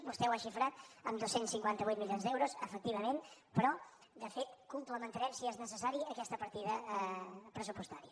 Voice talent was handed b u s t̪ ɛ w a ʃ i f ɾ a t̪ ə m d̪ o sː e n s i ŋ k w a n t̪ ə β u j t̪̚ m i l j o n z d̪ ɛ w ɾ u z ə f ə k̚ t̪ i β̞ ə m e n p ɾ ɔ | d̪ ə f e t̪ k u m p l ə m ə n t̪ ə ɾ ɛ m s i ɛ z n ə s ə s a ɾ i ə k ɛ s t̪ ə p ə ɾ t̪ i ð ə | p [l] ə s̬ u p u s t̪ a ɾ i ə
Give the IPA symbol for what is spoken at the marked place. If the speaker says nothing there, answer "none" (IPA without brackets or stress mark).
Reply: ɾ